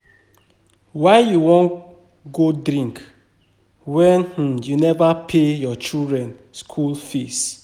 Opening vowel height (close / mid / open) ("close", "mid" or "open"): open